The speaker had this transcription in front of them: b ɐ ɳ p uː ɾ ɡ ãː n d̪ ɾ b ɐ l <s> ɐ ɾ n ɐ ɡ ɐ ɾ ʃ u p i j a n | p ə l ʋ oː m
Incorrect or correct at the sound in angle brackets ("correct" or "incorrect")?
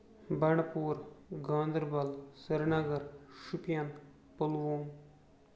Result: correct